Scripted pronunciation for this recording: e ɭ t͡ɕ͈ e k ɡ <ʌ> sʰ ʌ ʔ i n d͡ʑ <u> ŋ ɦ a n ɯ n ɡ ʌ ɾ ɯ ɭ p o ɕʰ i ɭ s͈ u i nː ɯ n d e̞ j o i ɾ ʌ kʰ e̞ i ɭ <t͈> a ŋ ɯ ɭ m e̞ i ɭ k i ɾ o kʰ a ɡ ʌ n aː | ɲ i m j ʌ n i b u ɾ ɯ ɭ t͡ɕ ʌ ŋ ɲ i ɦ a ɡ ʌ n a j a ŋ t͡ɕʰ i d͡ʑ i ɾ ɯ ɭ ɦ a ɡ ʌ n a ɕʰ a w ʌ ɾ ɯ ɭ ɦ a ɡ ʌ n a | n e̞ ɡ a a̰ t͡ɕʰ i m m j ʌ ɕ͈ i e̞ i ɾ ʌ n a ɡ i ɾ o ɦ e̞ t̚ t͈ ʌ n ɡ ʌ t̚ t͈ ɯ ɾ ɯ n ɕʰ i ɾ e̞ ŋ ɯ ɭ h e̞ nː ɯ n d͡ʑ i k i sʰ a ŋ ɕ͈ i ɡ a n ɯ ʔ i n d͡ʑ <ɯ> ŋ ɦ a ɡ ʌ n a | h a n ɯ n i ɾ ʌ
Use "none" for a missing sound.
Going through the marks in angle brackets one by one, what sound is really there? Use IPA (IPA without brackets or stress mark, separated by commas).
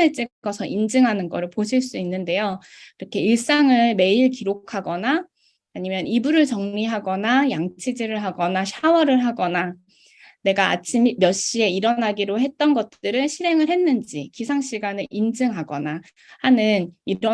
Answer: ʌ, ɯ, s͈, ɯ